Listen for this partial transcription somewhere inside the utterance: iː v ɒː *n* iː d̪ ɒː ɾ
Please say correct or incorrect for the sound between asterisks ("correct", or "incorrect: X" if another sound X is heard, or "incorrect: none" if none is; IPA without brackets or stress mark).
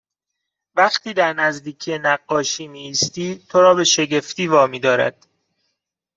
incorrect: m